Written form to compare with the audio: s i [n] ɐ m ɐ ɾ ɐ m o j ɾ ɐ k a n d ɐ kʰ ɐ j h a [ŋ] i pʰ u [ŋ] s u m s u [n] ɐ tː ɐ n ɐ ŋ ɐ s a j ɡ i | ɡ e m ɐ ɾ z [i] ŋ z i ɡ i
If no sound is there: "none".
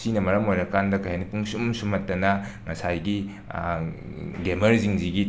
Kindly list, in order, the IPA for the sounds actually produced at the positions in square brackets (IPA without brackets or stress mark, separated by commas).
n, n, ŋ, m, i